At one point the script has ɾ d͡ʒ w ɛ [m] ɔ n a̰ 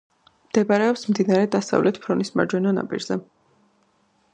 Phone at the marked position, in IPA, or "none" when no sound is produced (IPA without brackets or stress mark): n